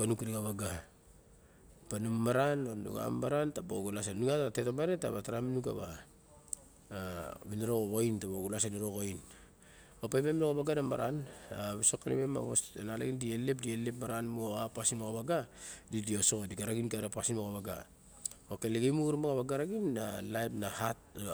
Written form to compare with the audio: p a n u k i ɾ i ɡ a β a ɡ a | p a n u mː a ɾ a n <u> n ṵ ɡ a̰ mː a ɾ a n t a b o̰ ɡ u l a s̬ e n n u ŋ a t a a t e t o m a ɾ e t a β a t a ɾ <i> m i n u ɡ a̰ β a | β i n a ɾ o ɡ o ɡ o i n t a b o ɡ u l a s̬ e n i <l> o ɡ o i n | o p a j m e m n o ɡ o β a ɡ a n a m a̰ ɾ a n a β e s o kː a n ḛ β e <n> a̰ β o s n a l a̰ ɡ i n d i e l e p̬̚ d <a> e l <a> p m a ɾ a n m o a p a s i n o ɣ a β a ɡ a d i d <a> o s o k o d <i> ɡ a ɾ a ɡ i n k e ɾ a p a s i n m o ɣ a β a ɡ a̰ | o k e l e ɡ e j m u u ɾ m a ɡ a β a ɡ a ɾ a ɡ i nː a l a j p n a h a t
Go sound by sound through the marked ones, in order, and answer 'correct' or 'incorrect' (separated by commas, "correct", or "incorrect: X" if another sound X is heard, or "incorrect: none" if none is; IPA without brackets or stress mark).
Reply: incorrect: o, incorrect: a, incorrect: ɾ, incorrect: m, incorrect: i, incorrect: e, incorrect: i, correct